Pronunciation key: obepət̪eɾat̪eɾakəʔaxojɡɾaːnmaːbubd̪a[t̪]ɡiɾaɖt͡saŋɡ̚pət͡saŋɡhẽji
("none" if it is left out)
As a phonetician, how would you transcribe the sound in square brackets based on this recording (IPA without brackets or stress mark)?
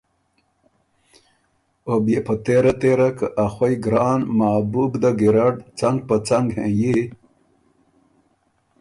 none